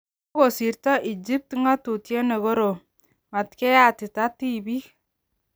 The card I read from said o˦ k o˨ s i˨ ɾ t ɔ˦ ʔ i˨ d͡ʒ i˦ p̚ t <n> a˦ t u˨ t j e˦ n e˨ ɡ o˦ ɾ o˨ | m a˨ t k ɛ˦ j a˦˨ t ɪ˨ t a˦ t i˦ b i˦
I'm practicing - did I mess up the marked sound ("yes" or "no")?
yes